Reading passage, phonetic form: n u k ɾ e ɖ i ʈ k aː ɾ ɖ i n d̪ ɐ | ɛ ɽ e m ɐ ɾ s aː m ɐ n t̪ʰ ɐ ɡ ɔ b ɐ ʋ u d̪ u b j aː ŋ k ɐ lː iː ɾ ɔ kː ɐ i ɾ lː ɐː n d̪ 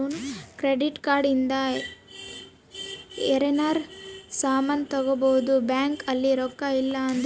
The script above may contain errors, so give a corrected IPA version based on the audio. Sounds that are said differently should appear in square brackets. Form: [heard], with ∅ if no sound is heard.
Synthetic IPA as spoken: n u k ɾ e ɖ i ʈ k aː ɾ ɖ i n d̪ ɐ | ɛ [ɾ] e [n] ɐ ɾ s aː m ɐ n [t̪] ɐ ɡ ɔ b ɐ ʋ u d̪ u b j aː ŋ k ɐ lː [i] ɾ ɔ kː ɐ i [∅] lː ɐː n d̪

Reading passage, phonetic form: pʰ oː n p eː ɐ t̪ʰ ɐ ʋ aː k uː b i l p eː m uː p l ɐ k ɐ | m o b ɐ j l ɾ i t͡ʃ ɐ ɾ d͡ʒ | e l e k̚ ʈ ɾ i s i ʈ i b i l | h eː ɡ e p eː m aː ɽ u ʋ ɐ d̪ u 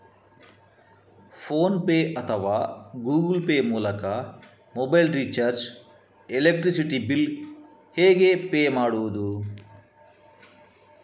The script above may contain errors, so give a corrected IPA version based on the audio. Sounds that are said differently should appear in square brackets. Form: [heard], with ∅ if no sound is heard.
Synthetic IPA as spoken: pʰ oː n p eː ɐ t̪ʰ ɐ ʋ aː [ɡ] uː [ɡ] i l p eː m uː [∅] l ɐ k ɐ | m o b ɐ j l ɾ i t͡ʃ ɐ ɾ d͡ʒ | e l e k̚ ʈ ɾ i s i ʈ i b i l | h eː ɡ e p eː m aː ɽ u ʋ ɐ d̪ u

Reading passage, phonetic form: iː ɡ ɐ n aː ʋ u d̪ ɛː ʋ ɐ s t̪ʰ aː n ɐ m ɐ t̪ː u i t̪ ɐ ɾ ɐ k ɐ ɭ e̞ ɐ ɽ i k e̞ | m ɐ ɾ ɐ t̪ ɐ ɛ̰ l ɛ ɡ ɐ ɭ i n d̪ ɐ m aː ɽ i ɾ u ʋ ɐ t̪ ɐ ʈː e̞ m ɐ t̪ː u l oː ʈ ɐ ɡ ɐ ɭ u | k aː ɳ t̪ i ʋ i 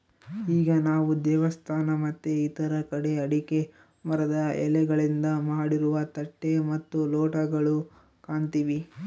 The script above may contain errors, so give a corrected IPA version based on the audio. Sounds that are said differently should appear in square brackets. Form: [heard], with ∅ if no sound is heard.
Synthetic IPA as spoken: iː ɡ ɐ n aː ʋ u d̪ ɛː ʋ ɐ s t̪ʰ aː n ɐ m ɐ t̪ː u i t̪ ɐ ɾ ɐ k ɐ [ɽ] e̞ ɐ ɽ i k e̞ | m ɐ ɾ ɐ [d̪] ɐ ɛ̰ l ɛ ɡ ɐ ɭ i n d̪ ɐ m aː ɽ i ɾ u ʋ ɐ t̪ ɐ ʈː e̞ m ɐ t̪ː u l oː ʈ ɐ ɡ ɐ ɭ u | k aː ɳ t̪ i ʋ i

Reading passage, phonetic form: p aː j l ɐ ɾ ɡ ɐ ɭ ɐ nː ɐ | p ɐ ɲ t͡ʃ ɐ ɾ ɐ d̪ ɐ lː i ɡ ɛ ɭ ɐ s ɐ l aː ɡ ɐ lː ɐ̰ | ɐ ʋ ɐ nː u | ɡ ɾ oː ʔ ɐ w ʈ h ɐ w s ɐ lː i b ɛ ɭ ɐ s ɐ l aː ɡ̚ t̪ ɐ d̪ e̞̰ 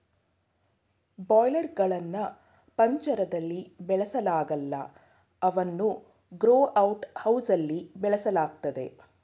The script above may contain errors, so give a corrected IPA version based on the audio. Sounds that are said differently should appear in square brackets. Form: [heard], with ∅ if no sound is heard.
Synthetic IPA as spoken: [b] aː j l ɐ ɾ ɡ ɐ ɭ ɐ nː ɐ | p ɐ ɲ t͡ʃ ɐ ɾ ɐ d̪ ɐ lː i [b] ɛ ɭ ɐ s ɐ l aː ɡ ɐ lː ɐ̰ | ɐ ʋ ɐ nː u | ɡ ɾ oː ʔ ɐ w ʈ h ɐ w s ɐ lː i b ɛ ɭ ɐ s ɐ l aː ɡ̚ t̪ ɐ d̪ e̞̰

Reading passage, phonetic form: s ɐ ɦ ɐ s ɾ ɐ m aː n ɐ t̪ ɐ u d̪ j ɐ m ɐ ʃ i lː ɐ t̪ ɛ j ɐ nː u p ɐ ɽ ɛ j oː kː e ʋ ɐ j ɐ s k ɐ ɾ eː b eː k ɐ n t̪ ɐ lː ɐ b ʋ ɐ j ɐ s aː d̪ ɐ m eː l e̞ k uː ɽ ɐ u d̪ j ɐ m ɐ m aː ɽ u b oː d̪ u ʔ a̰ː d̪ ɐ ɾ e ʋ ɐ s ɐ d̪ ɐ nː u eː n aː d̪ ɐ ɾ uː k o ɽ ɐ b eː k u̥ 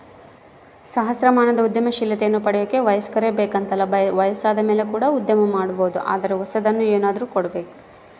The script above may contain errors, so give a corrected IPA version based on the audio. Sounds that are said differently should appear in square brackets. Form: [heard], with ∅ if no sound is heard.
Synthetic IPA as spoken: s ɐ ɦ ɐ s ɾ ɐ m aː n ɐ [d̪] ɐ u d̪ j ɐ m ɐ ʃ i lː ɐ t̪ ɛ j ɐ nː u p ɐ ɽ ɛ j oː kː e ʋ ɐ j ɐ s k ɐ ɾ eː b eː k ɐ n t̪ ɐ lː ɐ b ʋ ɐ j ɐ s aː d̪ ɐ m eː l e̞ k uː ɽ ɐ u d̪ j ɐ m ɐ m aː ɽ u b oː d̪ u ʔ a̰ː d̪ ɐ ɾ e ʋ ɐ s ɐ d̪ ɐ nː u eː n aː d̪ ɐ ɾ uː k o ɽ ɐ b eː k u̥

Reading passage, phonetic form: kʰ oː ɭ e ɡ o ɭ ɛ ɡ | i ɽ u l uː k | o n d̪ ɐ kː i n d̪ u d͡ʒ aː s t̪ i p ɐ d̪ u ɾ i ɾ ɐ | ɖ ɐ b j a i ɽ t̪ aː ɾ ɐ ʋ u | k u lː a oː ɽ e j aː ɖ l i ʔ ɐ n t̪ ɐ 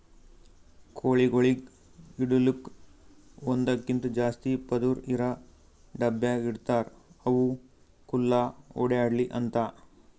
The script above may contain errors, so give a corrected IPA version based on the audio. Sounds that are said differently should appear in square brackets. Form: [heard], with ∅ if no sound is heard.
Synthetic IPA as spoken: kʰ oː ɭ [i] ɡ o ɭ [i] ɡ | i ɽ u l [u] k | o n d̪ ɐ kː i n [t̪] u d͡ʒ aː s t̪ i p ɐ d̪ u ɾ i ɾ ɐ | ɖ ɐ b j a i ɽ t̪ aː ɾ ɐ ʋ u | k u lː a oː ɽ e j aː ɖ l i ʔ ɐ n t̪ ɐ

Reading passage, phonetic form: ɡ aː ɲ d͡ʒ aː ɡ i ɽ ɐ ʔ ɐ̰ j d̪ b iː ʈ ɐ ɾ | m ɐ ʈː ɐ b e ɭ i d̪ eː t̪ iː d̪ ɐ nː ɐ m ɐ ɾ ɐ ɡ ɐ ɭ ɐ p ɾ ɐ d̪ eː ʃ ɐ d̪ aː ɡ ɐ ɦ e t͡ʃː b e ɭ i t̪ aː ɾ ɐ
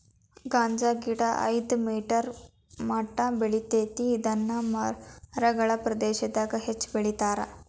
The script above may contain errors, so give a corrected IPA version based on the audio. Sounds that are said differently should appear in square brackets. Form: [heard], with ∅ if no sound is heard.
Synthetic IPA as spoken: ɡ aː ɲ d͡ʒ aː ɡ i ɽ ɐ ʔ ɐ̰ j d̪ [m] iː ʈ ɐ ɾ | m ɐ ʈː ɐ b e ɭ i [t̪] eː t̪ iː d̪ ɐ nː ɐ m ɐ ɾ ɐ ɡ ɐ ɭ ɐ p ɾ ɐ d̪ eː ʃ ɐ d̪ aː ɡ ɐ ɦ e t͡ʃː b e ɭ i t̪ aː ɾ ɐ

